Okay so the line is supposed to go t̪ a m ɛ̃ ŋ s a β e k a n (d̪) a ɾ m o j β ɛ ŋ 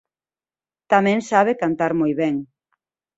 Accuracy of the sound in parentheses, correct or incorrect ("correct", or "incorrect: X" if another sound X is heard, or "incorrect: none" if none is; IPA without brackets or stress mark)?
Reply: incorrect: t̪